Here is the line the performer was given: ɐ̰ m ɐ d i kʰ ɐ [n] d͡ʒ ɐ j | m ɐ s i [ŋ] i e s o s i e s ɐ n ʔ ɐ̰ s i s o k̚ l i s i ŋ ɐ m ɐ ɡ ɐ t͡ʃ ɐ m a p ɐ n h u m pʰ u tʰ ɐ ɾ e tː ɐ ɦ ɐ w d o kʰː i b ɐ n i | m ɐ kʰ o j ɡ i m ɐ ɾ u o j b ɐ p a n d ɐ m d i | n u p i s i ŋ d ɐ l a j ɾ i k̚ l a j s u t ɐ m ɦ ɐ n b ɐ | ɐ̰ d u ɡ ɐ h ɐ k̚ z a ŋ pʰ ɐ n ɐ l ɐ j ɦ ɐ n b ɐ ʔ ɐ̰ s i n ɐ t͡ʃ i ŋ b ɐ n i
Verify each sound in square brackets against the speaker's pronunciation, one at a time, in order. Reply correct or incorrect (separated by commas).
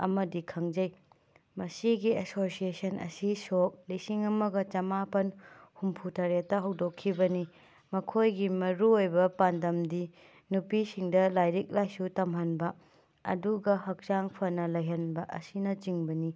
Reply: incorrect, incorrect